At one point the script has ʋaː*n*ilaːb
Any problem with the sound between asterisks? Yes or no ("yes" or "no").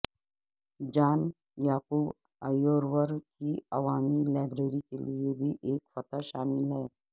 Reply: yes